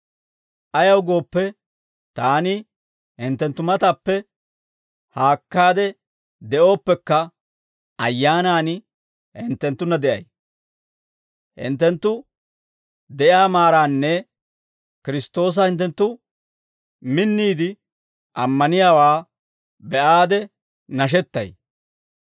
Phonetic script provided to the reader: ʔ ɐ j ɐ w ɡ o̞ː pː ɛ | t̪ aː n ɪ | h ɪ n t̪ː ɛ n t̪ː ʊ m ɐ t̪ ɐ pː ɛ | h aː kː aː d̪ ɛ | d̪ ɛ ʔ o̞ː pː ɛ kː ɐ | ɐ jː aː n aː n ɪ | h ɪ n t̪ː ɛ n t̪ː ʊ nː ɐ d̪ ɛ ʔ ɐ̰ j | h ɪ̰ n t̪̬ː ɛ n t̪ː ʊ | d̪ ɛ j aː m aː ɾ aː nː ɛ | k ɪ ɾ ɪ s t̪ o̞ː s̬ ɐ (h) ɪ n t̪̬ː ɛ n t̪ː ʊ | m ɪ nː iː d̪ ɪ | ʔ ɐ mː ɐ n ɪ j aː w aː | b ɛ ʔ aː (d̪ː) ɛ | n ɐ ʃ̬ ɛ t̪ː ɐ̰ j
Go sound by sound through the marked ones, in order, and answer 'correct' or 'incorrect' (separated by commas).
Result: correct, incorrect